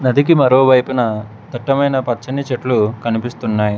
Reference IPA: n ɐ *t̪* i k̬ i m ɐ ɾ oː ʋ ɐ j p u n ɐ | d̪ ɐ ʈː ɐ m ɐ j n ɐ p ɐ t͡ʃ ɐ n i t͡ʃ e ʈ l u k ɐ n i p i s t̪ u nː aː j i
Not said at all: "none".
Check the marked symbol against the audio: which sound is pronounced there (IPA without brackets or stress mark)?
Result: d̪